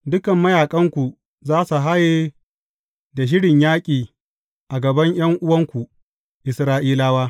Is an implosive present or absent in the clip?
absent